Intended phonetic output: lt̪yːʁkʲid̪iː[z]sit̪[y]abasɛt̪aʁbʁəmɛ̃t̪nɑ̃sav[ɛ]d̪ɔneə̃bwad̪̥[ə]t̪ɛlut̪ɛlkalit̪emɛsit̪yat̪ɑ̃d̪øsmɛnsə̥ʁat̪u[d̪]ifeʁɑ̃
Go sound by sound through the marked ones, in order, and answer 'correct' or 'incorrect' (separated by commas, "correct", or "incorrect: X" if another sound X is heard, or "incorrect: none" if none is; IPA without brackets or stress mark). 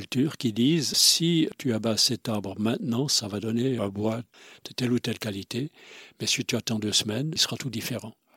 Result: correct, correct, incorrect: a, correct, correct